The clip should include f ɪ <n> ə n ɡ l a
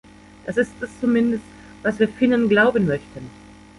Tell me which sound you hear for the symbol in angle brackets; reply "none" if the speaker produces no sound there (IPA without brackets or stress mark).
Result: n